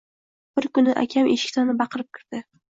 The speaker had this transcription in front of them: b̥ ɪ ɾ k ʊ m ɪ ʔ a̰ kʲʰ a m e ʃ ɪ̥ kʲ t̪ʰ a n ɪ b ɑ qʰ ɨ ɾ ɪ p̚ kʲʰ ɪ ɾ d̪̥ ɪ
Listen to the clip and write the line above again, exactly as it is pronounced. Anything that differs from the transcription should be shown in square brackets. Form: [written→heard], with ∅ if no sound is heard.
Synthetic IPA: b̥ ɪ ɾ k ʊ [m→n] ɪ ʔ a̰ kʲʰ a m e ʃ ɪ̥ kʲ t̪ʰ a n ɪ b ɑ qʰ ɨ ɾ ɪ p̚ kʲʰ ɪ ɾ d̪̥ ɪ